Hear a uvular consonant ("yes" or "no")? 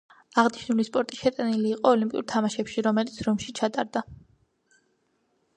yes